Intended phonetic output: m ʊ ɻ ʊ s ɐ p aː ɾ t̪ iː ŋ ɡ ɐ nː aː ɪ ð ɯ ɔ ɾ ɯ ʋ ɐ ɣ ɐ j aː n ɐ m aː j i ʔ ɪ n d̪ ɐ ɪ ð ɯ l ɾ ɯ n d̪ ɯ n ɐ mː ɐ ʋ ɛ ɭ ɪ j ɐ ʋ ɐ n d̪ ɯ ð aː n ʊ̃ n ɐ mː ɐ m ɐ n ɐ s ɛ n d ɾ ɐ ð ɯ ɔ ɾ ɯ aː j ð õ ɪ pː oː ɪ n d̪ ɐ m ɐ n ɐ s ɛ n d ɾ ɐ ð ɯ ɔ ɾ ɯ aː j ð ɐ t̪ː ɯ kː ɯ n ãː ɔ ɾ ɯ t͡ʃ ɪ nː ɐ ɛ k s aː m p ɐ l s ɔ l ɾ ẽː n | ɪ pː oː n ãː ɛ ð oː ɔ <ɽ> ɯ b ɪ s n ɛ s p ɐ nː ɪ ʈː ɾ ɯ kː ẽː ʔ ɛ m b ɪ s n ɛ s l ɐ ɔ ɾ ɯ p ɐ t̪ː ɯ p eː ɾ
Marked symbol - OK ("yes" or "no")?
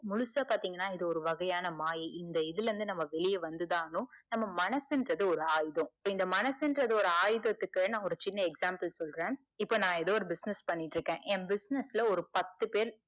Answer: no